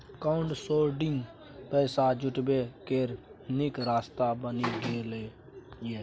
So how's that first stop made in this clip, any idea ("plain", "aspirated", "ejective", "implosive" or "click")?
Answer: plain